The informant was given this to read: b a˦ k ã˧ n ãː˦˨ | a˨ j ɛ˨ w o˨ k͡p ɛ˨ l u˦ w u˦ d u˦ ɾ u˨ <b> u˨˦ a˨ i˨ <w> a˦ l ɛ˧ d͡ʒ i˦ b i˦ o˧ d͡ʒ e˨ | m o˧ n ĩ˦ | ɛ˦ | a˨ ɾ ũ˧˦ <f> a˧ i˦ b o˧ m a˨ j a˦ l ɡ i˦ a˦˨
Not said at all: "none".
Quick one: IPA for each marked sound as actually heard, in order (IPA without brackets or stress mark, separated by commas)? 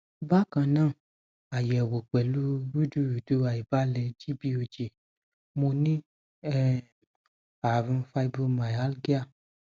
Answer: d, b, f